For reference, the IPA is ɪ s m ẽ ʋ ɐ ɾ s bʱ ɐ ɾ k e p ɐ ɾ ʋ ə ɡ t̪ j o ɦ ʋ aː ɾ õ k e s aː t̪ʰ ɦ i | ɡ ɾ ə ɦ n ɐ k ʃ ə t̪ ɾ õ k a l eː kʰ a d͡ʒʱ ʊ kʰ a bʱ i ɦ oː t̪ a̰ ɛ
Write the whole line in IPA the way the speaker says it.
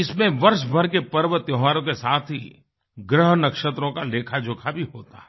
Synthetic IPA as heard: ɪ s m ẽ ʋ ɐ ɾ ʃ bʱ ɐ ɾ k e p ɐ ɾ ʋ ə t̪ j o ɦ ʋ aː ɾ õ k e s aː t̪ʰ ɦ i | ɡ ɾ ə ɦ n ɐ k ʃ ə t̪ ɾ õ k a l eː kʰ a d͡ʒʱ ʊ kʰ a bʱ i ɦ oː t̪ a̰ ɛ